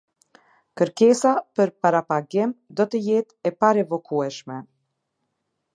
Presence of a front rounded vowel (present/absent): absent